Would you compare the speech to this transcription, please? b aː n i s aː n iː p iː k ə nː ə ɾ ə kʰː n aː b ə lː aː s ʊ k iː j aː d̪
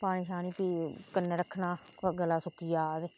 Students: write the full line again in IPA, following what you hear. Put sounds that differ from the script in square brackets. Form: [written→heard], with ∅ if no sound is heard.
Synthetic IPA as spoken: [b→p] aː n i [s→ʃ] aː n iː p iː k ə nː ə ɾ ə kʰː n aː [b→ɡ] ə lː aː s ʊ k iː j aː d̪